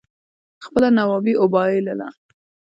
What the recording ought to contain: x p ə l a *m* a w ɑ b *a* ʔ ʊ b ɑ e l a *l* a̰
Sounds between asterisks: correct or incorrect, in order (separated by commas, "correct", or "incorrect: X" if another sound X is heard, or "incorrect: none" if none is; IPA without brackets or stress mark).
incorrect: n, incorrect: i, correct